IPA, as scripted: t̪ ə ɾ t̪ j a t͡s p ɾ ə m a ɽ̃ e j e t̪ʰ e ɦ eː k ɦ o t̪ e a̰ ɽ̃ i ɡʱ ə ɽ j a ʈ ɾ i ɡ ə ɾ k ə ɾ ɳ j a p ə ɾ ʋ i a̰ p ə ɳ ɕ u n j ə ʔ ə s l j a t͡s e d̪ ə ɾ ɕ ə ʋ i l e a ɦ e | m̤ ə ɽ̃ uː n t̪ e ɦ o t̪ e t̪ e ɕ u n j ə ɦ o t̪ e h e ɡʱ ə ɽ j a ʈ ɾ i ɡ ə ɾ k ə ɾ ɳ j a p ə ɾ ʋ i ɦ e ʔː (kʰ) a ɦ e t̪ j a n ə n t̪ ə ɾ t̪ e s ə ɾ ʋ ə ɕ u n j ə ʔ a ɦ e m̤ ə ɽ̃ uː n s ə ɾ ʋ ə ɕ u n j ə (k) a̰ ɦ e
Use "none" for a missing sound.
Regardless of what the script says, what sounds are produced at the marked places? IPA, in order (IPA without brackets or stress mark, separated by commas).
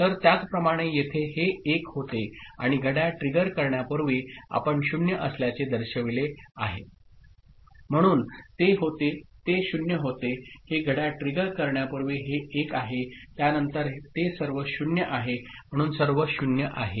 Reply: k, ʔ